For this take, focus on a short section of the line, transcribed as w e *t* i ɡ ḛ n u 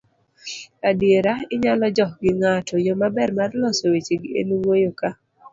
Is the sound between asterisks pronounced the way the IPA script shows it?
no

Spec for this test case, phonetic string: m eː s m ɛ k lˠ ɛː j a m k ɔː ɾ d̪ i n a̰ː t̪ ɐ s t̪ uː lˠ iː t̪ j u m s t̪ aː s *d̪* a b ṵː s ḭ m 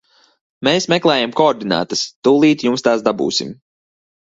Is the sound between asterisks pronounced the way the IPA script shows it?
yes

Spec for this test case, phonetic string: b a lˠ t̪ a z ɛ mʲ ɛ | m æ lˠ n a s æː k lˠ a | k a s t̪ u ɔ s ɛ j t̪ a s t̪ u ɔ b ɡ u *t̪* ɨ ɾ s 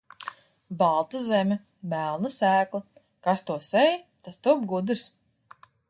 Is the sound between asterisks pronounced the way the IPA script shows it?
no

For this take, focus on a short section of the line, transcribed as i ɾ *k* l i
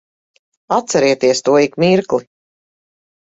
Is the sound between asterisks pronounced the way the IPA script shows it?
yes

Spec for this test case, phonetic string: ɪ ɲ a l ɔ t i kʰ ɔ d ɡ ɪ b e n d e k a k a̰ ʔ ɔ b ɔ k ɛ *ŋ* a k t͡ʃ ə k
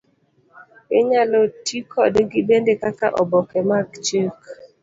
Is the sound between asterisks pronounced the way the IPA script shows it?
no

